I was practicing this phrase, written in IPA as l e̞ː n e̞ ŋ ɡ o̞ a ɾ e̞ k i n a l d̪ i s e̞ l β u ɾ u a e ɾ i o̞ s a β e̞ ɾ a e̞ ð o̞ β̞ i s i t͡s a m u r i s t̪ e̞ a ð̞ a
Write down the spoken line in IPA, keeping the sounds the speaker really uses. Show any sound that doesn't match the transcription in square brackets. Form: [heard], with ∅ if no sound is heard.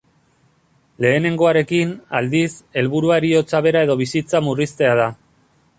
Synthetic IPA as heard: l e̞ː n e̞ ŋ ɡ o̞ a ɾ e̞ k i n a l d̪ i s e̞ l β u ɾ u a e ɾ i o̞ [t͡s] a β e̞ ɾ a e̞ ð o̞ β̞ i s i t͡s a m u r i s t̪ e̞ a ð̞ a